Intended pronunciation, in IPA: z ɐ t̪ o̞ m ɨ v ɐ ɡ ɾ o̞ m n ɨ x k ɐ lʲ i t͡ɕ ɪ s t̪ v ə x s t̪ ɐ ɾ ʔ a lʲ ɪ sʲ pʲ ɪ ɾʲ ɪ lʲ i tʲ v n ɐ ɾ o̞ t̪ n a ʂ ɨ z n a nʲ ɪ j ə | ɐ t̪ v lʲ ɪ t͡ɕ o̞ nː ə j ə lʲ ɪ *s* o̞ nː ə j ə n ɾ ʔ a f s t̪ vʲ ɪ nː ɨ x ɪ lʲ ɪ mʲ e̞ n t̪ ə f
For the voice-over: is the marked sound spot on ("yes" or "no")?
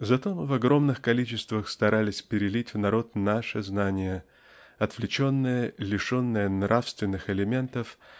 no